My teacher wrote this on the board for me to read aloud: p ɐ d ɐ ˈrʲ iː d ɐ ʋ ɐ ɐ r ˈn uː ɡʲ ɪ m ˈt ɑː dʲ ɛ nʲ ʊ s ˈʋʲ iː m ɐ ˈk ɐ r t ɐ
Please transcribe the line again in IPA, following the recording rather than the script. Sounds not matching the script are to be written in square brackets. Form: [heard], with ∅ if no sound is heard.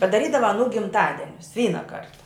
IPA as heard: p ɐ d ɐ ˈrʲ iː d ɐ ʋ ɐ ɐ [∅] ˈn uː ɡʲ ɪ m ˈt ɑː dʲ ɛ nʲ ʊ s ˈʋʲ iː [n] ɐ ˈk ɐ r t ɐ